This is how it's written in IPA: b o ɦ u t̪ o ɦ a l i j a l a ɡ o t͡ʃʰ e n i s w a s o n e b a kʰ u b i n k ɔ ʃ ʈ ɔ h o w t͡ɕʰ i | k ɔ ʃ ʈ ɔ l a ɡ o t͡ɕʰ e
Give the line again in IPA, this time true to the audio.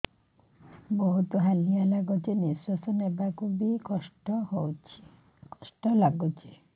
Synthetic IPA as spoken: b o ɦ u t̪ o ɦ a l i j a l a ɡ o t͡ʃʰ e n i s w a s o n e b a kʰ u b i k ɔ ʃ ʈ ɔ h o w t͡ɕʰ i | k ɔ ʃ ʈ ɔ l a ɡ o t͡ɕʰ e